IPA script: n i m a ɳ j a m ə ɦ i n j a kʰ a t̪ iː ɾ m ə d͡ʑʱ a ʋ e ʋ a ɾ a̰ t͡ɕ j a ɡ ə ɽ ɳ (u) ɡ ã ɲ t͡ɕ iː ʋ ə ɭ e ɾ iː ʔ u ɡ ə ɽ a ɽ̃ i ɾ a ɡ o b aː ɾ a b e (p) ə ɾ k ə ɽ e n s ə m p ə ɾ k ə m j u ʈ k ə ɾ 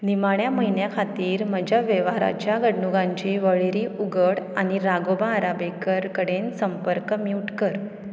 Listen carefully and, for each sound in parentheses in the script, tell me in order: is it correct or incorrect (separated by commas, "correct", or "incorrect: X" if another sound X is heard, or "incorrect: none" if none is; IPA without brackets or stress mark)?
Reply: correct, incorrect: k